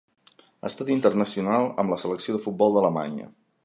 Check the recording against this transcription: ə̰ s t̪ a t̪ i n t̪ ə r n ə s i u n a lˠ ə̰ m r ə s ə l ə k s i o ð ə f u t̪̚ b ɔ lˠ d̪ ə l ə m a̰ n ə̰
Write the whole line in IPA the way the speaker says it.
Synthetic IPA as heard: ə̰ s t̪ a t̪ i n t̪ ə r n ə s i u n a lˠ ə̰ m l ə s ə l ə k s i o ð ə f u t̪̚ b ɔ lˠ d̪ ə l ə m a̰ ɲ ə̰